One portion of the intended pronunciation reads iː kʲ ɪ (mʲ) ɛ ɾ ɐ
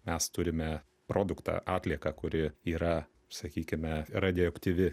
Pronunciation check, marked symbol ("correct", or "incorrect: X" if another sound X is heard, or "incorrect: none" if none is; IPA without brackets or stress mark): correct